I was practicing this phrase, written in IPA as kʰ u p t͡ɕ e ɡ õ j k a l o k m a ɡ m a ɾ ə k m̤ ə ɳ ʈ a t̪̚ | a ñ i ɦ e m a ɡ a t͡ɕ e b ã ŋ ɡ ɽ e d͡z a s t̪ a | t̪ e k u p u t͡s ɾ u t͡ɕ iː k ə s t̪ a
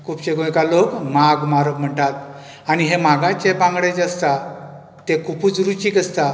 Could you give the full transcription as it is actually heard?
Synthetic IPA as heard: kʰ u p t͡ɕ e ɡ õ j k a l o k m a ɡ m a ɾ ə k m̤ ə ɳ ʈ a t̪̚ | a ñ i ɦ e m a ɡ a t͡ɕ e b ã ŋ ɡ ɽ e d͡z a s t̪ a | t̪ e k u p u t͡s ɾ u t͡ɕ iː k ə s t̪ a